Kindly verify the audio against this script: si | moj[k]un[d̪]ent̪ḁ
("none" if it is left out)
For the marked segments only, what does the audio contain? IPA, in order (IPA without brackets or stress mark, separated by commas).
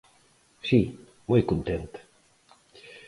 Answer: k, t̪